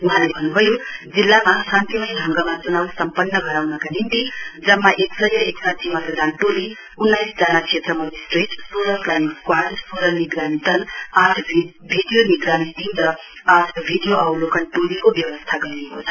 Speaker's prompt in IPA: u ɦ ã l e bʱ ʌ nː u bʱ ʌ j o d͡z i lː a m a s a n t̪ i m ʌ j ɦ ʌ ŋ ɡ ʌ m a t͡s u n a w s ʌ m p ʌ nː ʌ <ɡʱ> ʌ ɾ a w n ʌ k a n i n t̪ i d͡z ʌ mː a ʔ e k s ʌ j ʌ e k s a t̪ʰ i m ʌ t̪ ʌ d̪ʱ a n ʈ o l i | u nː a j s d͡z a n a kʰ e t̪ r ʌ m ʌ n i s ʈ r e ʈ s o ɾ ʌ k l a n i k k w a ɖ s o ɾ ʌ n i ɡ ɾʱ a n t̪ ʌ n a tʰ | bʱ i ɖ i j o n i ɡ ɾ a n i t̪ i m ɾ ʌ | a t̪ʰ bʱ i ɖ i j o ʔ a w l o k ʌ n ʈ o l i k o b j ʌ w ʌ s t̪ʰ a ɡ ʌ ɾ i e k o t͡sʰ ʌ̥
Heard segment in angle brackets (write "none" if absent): ɡʱ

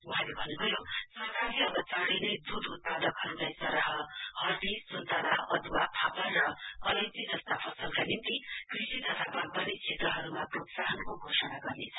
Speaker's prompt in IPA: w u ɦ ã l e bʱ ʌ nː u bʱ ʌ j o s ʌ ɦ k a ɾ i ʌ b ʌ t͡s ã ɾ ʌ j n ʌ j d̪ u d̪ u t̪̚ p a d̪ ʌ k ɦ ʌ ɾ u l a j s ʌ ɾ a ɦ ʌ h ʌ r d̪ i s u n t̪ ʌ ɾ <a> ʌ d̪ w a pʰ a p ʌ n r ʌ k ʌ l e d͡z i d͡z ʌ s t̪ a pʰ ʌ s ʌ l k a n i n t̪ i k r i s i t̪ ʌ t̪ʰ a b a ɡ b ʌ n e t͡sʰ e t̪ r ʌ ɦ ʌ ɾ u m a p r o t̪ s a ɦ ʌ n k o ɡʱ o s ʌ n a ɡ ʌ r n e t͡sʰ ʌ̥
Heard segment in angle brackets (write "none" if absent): a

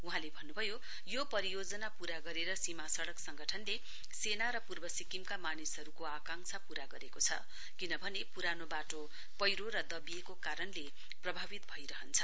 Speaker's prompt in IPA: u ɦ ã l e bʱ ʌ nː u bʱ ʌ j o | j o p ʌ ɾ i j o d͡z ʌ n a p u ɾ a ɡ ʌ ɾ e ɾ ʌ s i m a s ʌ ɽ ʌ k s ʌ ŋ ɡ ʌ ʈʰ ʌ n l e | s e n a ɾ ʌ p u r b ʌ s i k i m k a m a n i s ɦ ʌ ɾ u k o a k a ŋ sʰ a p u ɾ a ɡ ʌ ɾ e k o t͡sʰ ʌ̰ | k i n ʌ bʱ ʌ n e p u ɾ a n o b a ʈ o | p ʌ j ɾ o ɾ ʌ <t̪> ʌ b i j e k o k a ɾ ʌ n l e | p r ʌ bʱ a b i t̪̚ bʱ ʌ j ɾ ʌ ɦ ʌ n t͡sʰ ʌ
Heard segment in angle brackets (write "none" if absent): d̪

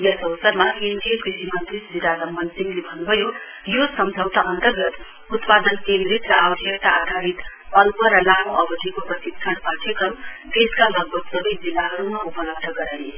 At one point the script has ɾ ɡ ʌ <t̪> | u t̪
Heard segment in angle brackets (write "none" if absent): t̪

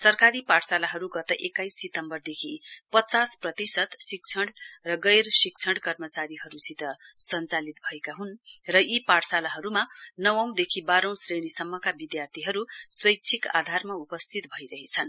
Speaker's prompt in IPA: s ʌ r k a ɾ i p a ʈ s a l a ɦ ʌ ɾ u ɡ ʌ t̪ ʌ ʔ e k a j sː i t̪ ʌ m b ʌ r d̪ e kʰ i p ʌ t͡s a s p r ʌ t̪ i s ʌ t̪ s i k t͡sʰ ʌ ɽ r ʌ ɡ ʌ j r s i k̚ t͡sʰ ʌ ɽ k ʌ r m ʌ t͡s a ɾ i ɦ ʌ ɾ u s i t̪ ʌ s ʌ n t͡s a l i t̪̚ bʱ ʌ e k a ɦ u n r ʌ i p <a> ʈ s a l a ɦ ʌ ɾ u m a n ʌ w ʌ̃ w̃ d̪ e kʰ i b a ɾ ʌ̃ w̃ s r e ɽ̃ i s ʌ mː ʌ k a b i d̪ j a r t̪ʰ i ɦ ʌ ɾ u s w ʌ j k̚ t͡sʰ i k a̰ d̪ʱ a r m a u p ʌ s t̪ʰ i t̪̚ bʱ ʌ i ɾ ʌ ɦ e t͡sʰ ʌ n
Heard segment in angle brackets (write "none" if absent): a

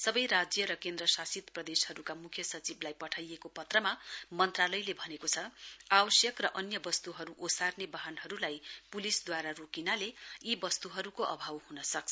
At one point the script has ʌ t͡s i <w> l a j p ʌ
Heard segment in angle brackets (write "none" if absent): b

